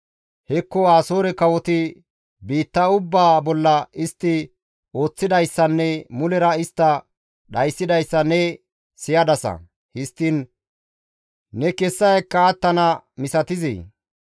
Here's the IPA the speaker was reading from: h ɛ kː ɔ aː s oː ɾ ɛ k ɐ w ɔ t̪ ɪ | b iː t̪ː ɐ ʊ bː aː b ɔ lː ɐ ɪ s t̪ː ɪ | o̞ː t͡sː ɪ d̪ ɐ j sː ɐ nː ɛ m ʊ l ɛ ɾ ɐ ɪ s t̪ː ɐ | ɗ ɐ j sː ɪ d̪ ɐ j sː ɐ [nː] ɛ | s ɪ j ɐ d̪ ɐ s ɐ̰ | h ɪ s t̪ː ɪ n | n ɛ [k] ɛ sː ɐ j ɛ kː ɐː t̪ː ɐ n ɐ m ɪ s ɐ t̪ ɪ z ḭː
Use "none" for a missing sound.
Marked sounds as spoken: n, k

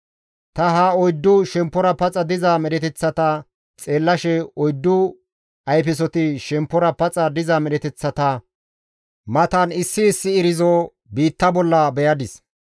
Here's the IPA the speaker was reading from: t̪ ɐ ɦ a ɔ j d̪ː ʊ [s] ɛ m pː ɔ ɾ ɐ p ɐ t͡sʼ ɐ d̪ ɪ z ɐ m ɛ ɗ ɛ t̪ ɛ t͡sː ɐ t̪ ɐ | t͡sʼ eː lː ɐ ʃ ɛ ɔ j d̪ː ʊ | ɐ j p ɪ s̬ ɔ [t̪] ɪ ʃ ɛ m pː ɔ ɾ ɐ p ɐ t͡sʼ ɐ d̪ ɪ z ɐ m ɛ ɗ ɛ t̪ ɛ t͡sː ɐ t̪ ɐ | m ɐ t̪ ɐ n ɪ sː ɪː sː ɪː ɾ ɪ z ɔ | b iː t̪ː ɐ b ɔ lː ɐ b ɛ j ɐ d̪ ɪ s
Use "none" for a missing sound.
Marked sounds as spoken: ʃ, t̪

